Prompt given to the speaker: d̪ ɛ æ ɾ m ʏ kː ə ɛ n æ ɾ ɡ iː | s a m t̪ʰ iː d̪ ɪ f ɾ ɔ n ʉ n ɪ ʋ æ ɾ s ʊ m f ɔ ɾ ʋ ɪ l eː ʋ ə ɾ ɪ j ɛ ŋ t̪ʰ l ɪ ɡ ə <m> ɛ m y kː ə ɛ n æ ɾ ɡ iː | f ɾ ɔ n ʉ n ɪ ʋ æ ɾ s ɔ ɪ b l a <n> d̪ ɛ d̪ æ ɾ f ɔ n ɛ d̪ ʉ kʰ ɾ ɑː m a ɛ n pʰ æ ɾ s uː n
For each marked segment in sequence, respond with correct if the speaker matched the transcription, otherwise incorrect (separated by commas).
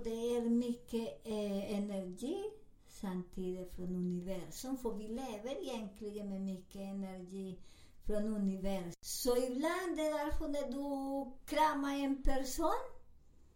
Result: correct, correct